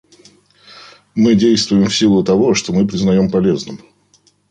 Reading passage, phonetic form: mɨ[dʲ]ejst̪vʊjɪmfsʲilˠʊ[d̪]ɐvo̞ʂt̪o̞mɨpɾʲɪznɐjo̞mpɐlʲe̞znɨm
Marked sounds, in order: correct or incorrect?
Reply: correct, incorrect: t̪

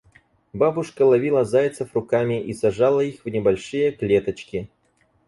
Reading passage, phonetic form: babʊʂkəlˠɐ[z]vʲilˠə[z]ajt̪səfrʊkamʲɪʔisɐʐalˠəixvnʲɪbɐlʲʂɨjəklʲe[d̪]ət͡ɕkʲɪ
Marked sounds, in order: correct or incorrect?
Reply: incorrect: none, correct, incorrect: t̪

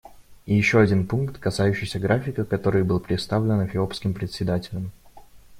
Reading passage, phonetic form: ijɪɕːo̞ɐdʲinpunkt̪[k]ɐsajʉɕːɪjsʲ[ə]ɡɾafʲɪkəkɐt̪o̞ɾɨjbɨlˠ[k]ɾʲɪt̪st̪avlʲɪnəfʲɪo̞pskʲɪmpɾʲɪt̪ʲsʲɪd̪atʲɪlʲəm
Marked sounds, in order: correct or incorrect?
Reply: correct, correct, incorrect: p

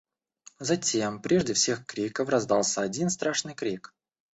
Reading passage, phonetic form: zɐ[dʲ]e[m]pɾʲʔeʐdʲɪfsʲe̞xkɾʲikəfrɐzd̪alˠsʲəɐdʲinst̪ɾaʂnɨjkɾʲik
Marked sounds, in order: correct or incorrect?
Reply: incorrect: tʲ, correct

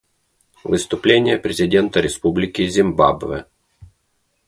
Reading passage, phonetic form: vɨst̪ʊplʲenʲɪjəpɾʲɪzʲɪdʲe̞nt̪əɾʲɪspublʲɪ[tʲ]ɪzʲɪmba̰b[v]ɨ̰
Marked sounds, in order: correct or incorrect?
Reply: incorrect: kʲ, correct

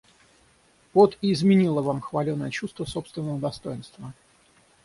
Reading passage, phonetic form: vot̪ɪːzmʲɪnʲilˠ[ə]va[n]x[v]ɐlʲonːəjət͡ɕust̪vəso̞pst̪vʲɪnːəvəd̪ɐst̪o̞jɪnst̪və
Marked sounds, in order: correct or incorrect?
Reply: correct, incorrect: m, correct

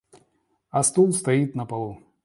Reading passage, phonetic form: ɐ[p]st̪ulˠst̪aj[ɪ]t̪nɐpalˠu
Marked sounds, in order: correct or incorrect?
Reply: incorrect: none, incorrect: i

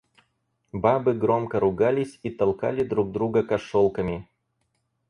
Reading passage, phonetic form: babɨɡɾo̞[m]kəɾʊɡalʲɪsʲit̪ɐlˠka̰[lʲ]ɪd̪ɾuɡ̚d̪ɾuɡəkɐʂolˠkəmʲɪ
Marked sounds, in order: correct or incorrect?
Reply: correct, correct

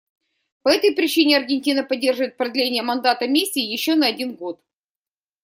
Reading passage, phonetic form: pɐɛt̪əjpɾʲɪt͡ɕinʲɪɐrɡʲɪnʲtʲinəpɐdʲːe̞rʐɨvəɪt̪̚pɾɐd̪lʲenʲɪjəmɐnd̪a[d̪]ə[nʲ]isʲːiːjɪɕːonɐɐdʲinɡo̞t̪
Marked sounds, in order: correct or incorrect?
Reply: incorrect: t̪, incorrect: mʲ

